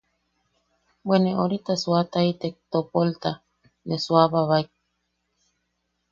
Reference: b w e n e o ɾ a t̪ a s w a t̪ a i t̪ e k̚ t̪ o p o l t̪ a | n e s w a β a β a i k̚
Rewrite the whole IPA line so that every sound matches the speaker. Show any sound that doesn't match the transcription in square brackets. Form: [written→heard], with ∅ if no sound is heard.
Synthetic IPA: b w e n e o ɾ [a→i] t̪ a s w a t̪ a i t̪ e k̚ t̪ o p o l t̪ a | n e s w a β a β a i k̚